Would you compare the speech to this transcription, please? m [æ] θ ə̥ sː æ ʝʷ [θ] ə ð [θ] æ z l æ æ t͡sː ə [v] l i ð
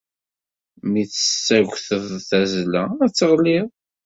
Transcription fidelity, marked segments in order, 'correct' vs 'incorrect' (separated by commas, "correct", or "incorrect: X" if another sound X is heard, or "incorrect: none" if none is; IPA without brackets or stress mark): incorrect: i, correct, correct, incorrect: ʁ